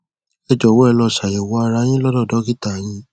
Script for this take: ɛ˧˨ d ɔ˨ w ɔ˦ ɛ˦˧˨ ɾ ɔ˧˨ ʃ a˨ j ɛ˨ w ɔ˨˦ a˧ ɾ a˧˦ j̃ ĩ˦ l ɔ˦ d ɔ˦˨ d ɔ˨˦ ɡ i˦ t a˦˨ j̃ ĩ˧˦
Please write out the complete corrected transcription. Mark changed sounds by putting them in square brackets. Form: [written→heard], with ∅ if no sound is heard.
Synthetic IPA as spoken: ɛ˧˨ [d→d͡ʒ] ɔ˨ w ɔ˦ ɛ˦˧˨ [ɾ→l] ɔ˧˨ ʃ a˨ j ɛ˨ w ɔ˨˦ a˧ ɾ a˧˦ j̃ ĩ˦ l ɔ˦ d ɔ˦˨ d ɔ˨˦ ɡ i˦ t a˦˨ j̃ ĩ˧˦